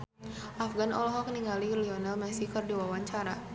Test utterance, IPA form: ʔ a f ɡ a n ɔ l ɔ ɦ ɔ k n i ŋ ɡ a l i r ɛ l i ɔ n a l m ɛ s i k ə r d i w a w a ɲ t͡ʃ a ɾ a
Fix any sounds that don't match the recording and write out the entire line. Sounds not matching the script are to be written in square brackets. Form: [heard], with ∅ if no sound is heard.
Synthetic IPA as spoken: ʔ a f ɡ a n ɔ l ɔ ɦ ɔ k n i ŋ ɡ a l i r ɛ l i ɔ n a l m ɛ s i k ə r d i w a w a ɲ t͡ʃ a ɾ a